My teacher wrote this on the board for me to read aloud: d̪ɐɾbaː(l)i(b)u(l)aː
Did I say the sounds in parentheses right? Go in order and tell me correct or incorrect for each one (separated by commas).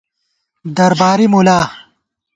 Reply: incorrect, incorrect, correct